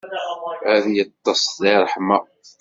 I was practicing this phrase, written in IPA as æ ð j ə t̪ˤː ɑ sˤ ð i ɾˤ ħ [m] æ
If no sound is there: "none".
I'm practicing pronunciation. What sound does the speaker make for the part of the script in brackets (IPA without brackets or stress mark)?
m